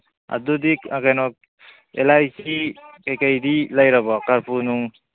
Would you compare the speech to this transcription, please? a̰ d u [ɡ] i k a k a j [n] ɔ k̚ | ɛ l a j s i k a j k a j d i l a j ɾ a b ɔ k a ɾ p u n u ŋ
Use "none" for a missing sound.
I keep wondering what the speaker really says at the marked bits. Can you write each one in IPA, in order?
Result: d, n

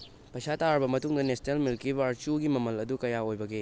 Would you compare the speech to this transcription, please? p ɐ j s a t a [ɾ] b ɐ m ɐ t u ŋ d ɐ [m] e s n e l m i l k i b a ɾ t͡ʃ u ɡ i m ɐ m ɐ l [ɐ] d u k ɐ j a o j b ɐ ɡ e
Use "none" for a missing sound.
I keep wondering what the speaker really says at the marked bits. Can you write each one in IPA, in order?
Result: ɾ, n, ɐ

